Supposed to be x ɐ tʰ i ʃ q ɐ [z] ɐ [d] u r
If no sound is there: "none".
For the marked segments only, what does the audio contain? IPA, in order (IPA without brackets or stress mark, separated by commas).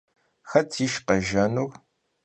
ʒ, n